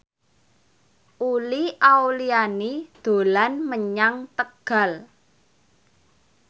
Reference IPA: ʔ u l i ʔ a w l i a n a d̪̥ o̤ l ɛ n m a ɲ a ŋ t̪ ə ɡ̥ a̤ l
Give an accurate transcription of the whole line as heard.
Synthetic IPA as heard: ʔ u l i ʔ a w l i a n i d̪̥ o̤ l a n m ə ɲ a ŋ t̪ ə ɡ̥ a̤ l